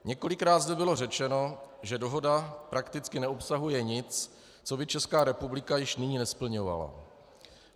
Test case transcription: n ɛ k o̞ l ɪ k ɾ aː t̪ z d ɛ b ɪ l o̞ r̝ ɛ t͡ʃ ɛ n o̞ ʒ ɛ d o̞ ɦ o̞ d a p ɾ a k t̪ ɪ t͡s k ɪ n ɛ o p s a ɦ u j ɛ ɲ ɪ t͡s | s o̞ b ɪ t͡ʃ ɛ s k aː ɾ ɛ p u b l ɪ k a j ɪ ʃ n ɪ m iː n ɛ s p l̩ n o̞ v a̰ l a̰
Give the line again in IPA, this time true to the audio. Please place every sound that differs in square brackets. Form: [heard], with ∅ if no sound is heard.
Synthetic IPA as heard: [ɲ] ɛ k o̞ l ɪ k ɾ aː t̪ z d ɛ b ɪ l o̞ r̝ ɛ t͡ʃ ɛ n o̞ ʒ ɛ d o̞ ɦ o̞ d a p ɾ a k t̪ ɪ t͡s k ɪ n ɛ o p s a ɦ u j ɛ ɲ ɪ t͡s | [t͡s] o̞ b ɪ t͡ʃ ɛ s k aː ɾ ɛ p u b l ɪ k a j ɪ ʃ n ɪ [ɲ] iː n ɛ s p l̩ [ɲ] o̞ v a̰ l a̰